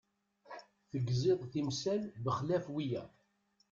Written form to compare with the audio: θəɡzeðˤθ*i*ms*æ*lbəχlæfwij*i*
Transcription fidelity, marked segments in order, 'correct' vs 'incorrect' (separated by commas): correct, correct, incorrect